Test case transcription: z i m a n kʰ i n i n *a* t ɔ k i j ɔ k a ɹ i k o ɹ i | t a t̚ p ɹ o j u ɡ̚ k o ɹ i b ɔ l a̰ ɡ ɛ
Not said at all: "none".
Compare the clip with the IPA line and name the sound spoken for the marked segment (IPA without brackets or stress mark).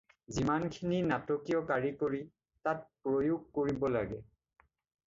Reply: a